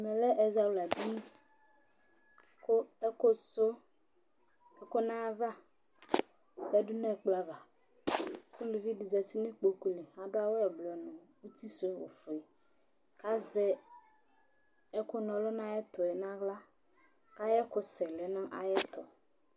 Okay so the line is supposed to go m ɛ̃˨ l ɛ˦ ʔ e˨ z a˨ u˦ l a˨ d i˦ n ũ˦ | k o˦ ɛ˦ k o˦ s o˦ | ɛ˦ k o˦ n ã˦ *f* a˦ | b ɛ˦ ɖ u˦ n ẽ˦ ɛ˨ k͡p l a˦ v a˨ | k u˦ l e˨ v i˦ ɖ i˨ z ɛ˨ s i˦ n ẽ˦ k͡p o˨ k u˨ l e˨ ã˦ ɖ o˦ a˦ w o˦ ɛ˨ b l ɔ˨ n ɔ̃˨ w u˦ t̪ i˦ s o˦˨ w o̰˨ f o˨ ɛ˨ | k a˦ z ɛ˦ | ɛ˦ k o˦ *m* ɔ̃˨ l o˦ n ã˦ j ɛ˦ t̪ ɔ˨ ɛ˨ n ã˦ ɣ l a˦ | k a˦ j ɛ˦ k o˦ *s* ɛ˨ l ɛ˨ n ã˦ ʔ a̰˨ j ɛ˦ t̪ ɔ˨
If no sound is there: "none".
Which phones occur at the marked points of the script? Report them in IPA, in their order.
v, n, s

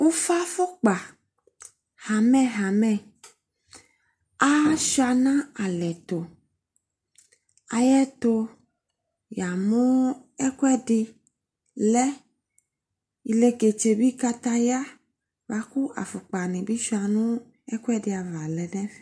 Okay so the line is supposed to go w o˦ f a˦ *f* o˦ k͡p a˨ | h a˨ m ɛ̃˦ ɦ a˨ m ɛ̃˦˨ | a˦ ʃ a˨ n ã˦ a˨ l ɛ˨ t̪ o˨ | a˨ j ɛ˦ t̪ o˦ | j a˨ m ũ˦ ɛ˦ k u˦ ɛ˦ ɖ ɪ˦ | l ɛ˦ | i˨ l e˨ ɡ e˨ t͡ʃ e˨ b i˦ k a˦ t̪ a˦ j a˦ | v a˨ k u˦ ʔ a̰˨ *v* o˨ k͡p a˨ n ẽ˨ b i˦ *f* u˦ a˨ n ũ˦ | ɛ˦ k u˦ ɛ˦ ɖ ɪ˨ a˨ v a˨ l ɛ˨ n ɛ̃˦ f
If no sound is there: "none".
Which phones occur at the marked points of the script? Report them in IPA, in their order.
f, f, ʃ

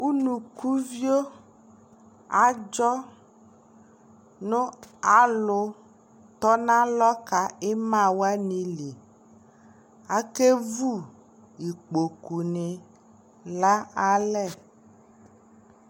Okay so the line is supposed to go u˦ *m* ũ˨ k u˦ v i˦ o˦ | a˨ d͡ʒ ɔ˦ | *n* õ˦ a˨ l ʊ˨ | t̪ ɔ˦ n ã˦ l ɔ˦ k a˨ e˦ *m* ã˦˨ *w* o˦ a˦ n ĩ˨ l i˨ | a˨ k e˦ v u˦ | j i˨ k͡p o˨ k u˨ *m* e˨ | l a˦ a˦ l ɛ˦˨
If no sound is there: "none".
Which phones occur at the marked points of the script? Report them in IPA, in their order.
n, n, m, w, n

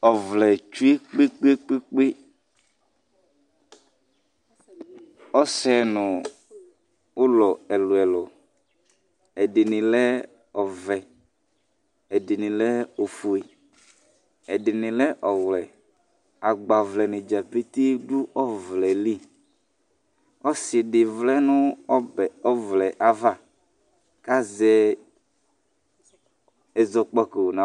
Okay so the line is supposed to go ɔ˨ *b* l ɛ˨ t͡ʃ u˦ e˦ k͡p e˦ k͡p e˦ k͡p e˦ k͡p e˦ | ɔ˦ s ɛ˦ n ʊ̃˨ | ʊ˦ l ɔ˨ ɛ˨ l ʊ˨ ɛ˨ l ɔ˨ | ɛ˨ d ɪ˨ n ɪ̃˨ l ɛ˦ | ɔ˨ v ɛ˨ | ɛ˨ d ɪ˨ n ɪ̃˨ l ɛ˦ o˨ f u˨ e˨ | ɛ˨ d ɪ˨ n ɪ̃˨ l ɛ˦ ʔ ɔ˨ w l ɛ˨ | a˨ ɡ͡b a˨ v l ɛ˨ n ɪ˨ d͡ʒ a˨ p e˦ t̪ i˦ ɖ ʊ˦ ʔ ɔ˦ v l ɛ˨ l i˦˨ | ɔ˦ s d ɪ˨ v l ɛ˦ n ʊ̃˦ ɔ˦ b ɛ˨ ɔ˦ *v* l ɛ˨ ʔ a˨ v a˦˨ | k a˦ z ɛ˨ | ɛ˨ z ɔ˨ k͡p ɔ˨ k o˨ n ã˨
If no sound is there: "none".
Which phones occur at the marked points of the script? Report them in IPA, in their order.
v, v

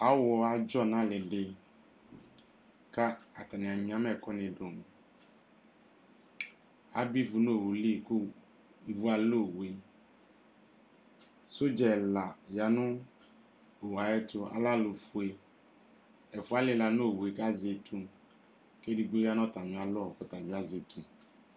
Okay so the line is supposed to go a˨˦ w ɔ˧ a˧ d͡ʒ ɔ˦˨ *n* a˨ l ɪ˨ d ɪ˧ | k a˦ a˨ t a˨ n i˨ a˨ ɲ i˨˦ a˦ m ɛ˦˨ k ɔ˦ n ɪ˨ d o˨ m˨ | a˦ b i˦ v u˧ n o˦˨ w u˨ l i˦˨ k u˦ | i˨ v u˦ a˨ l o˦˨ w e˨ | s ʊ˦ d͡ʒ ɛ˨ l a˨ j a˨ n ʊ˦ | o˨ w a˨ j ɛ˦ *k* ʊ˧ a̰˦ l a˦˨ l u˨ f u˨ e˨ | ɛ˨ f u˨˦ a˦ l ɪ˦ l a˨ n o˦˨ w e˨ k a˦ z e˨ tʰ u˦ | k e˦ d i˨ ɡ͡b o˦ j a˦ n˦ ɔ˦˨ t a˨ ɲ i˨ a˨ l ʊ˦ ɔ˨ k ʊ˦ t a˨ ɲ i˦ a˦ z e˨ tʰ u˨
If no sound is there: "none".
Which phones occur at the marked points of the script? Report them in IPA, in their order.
n, t

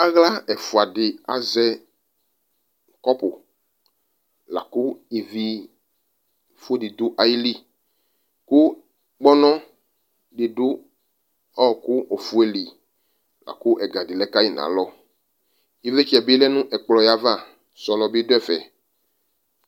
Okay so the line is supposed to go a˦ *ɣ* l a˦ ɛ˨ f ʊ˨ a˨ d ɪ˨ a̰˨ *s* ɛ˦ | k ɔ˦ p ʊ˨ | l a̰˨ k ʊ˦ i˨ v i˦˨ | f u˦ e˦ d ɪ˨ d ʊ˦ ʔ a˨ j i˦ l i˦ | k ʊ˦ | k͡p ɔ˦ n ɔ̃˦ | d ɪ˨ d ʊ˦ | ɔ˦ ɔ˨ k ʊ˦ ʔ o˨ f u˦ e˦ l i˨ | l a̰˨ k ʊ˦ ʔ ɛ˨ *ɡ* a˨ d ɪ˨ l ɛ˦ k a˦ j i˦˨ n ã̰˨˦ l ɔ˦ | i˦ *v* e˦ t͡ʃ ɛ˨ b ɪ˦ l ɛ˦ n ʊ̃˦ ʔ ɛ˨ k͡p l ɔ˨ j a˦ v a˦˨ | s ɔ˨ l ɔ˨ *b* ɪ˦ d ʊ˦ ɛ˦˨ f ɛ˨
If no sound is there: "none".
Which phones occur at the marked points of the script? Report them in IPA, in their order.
ɣ, z, ɡ, v, b

